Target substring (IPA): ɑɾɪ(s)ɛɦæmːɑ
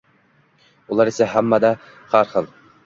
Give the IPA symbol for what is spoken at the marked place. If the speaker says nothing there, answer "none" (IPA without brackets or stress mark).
s